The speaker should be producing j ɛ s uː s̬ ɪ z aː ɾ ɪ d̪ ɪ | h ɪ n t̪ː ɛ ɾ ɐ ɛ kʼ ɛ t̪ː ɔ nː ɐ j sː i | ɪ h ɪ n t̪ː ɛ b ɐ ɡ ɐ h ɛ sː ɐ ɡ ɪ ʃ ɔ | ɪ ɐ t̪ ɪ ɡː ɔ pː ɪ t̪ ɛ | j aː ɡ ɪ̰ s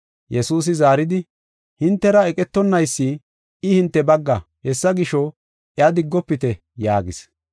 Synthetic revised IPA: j ɛ s uː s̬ ɪ z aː ɾ ɪ d̪ ɪ | h ɪ n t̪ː ɛ ɾ ɐ ɛ kʼ ɛ t̪ː ɔ nː ɐ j sː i | ɪ h ɪ n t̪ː ɛ b ɐ ɡː ɐ h ɛ sː ɐ ɡ ɪ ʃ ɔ | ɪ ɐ d̪ ɪ ɡː ɔ pː ɪ t̪ ɛ | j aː ɡ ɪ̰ s